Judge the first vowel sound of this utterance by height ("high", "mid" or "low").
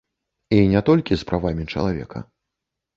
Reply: high